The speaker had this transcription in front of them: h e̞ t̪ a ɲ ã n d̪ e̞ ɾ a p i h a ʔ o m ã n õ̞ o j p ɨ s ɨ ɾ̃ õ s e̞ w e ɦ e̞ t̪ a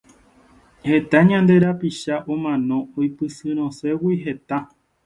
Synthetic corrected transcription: h e̞ t̪ a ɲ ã n d̪ e̞ ɾ a p i ʃ a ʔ o m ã n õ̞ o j p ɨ s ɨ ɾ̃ õ s e̞ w i ɦ e̞ t̪ a